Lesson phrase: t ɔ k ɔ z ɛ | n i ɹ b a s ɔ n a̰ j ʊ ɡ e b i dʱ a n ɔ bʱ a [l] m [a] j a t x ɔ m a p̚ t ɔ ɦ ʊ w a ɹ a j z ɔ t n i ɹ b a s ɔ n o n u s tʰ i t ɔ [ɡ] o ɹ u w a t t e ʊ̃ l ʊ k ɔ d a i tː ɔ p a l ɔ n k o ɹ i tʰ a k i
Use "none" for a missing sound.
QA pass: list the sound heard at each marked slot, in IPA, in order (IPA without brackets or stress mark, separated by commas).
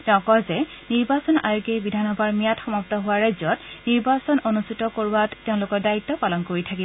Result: ɹ, i, k